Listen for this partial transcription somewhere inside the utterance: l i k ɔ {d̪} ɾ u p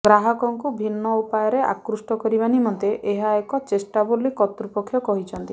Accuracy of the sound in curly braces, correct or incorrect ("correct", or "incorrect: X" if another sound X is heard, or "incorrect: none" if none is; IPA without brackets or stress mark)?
incorrect: t̪